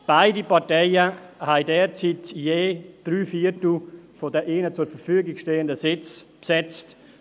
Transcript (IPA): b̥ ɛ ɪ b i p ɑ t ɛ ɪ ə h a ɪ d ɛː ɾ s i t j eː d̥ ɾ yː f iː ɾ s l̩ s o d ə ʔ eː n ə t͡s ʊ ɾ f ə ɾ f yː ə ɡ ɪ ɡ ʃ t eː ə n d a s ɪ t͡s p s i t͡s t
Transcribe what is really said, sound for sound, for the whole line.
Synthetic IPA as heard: b̥ a ɪ d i p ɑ t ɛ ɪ ə h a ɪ d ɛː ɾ t͡s i t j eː d̥ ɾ yː f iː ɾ t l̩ f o d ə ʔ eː n ə t͡s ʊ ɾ f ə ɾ f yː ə ɡ ɪ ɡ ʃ t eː ə n d ə s ɪ t͡s p s ɛ t͡s t